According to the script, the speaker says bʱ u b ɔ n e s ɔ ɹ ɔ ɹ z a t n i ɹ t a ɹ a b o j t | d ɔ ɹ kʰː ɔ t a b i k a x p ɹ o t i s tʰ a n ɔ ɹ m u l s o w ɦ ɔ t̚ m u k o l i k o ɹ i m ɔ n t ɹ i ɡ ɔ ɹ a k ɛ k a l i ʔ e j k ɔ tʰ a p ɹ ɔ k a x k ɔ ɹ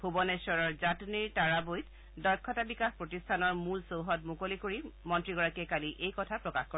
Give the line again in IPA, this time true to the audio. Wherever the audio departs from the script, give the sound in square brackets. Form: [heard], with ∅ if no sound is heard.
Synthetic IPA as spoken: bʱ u b ɔ n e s ɔ ɹ ɔ ɹ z a t n i ɹ t a ɹ a b o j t | d ɔ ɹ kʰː ɔ t a b i k a x p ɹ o t i s tʰ a n ɔ ɹ m u l s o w ɦ ɔ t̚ m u k o l i k o ɹ i m ɔ n t ɹ i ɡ ɔ ɹ a k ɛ k a l i ʔ e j k ɔ tʰ a p ɹ ɔ k a x k ɔ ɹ